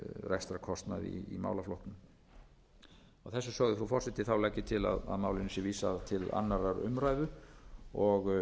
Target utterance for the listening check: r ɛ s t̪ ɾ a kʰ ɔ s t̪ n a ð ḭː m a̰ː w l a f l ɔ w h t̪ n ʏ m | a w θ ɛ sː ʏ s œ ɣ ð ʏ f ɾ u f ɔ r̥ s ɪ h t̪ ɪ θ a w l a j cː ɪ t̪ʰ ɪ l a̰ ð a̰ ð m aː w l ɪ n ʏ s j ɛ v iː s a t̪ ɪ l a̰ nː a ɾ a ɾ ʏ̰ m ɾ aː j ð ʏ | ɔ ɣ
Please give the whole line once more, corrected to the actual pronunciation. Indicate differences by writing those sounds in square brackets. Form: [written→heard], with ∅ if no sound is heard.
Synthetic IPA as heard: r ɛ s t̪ ɾ a kʰ ɔ s t̪ n a ð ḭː m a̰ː w l a f l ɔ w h t̪ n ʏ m | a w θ ɛ sː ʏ s œ ɣ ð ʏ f ɾ u f ɔ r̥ s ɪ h t̪ ɪ θ a w l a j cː ɪ t̪ʰ ɪ l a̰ ð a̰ ð m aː w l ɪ n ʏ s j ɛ v iː s a [t̪→t̪ʰ] ɪ l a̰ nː a ɾ a ɾ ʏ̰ m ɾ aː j ð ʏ | ɔ ɣ